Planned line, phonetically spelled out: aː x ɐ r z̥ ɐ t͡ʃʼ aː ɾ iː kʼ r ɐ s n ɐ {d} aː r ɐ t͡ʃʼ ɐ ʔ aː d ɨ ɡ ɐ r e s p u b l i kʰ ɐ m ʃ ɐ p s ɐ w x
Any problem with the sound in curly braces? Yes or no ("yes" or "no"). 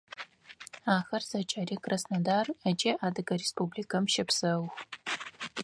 no